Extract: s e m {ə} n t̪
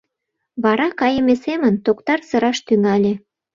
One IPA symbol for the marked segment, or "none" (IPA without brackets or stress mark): ə